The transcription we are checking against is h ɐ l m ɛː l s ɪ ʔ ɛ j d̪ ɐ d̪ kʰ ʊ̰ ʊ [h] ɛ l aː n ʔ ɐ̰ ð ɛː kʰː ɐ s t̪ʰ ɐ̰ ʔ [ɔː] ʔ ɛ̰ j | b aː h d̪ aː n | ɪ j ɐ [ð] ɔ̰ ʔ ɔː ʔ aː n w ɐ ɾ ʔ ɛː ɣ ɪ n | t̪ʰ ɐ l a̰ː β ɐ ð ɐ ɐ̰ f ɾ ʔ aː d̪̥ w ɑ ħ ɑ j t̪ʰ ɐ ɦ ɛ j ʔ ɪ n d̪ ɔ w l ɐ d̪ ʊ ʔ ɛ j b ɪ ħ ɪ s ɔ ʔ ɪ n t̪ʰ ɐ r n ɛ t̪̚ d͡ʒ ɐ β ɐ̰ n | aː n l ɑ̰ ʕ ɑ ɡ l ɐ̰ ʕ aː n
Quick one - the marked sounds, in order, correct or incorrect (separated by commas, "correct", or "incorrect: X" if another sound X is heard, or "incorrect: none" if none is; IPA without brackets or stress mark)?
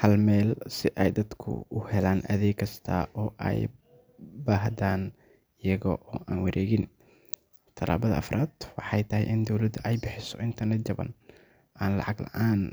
correct, correct, incorrect: ɣ